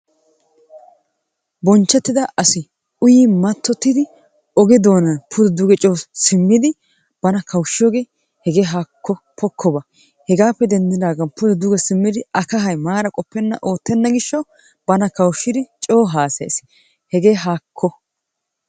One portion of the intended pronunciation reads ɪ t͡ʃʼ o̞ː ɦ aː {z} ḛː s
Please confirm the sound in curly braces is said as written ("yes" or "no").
no